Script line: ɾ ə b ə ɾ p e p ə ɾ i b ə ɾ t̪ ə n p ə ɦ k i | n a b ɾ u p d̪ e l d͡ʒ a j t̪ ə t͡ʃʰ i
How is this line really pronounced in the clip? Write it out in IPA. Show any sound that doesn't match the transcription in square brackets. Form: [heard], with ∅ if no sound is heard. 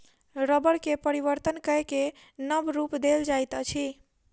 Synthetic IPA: ɾ ə b ə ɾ [k] e p ə ɾ i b ə ɾ t̪ ə n [k] ə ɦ k [e] | n [ə] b ɾ u p d̪ e l d͡ʒ a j t̪ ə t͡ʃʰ i